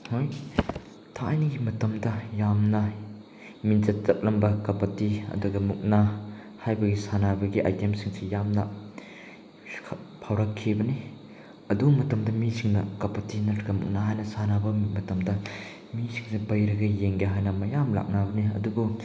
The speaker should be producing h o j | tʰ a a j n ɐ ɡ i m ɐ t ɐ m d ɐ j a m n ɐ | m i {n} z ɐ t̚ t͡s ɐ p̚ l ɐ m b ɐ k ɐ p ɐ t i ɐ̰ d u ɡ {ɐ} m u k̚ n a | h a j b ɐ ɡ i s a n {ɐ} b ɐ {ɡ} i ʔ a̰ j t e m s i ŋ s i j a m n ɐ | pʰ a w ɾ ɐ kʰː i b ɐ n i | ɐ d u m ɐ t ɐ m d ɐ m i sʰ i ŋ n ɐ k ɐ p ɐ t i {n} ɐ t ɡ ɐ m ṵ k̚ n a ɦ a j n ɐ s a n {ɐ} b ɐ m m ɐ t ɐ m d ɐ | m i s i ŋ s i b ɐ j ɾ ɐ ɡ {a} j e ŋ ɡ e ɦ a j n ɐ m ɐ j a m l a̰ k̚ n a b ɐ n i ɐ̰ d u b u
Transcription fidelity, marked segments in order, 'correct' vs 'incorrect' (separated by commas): correct, correct, incorrect, correct, correct, incorrect, incorrect